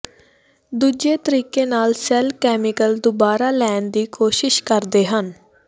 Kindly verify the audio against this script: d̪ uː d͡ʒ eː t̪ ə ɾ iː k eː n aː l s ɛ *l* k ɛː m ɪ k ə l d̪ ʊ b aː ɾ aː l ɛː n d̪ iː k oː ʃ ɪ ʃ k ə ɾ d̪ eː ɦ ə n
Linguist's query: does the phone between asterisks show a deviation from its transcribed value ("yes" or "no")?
no